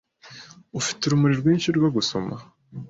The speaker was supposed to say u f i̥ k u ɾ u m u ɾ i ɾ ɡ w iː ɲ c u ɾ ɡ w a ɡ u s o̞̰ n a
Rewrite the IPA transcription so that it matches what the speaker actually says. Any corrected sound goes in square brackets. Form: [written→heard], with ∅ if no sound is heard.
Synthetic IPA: u f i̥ [k→t] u ɾ u m u ɾ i ɾ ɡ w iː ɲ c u ɾ ɡ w a ɡ u s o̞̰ [n→m] a